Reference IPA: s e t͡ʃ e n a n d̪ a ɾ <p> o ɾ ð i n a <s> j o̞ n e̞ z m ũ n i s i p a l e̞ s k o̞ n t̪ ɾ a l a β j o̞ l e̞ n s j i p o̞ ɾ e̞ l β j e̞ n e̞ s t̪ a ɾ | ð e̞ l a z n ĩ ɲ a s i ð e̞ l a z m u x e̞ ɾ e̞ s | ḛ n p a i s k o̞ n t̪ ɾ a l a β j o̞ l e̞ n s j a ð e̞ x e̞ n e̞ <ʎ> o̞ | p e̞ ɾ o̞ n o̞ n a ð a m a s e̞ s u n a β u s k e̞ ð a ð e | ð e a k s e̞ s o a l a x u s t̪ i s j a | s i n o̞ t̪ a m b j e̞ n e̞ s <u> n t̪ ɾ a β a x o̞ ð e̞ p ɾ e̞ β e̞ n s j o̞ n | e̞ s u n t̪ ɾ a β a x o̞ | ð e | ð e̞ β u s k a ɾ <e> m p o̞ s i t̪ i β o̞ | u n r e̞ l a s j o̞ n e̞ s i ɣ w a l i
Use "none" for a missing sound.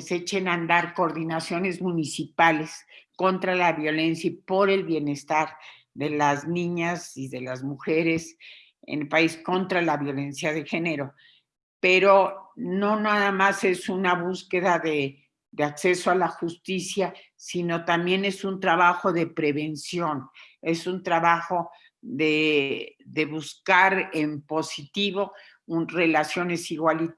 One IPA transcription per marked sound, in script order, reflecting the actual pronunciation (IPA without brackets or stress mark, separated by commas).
k, s, ɾ, u, e